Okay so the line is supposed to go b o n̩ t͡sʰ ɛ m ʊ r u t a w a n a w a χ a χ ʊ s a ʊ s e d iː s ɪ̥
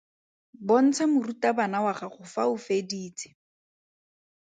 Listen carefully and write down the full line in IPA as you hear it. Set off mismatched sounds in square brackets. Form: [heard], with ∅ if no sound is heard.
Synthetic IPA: b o n̩ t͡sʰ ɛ m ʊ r u t a [b] a n a w a χ a χ ʊ [f] a ʊ [f] e d iː [t͡s] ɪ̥